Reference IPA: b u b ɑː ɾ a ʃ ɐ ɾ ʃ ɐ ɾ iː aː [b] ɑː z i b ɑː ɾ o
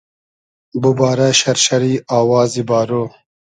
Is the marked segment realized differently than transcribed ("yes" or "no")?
yes